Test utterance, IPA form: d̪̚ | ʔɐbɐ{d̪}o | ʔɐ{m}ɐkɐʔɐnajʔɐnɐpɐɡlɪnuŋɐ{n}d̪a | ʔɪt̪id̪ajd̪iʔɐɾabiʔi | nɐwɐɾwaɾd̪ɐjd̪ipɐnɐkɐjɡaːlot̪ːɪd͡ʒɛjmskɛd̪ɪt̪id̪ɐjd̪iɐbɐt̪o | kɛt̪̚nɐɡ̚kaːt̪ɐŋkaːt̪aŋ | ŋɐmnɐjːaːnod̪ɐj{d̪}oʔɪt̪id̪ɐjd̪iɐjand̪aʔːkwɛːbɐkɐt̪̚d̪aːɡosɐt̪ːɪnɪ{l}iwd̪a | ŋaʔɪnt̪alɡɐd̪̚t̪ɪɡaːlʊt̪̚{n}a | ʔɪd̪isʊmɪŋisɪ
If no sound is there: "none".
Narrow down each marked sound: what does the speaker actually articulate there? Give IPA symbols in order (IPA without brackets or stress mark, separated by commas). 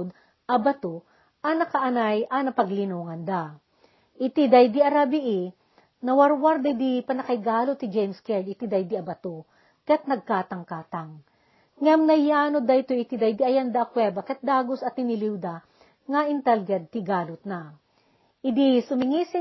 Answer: t̪, n, n, t̪, l, n